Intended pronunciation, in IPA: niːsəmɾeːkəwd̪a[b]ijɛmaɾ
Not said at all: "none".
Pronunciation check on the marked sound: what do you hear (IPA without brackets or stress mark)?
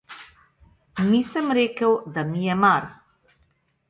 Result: m